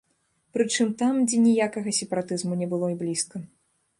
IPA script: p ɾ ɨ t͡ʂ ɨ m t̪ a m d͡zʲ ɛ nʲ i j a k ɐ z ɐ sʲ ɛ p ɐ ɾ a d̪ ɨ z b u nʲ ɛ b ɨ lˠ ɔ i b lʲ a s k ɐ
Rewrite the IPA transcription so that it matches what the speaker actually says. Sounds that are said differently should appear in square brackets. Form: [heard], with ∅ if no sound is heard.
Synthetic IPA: p ɾ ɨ t͡ʂ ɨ m t̪ a m d͡zʲ ɛ nʲ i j a k ɐ [ɣ] ɐ sʲ ɛ p ɐ ɾ a [t̪] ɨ z [m] u nʲ ɛ b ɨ lˠ ɔ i b lʲ [i] s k ɐ